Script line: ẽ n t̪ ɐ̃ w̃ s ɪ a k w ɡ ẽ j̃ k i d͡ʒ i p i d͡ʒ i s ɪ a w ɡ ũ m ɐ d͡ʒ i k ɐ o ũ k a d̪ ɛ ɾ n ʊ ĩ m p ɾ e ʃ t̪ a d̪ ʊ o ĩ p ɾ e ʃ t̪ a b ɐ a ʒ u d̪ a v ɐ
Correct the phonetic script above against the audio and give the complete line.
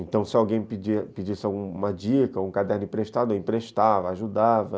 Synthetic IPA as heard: ẽ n t̪ ɐ̃ w̃ s ɪ a w ɡ ẽ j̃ p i d͡ʒ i p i d͡ʒ i s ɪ a w ɡ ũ m ɐ d͡ʒ i k ɐ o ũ k a d̪ ɛ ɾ n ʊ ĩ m p ɾ e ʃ t̪ a d̪ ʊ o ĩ p ɾ e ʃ t̪ a v ɐ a ʒ u d̪ a v ɐ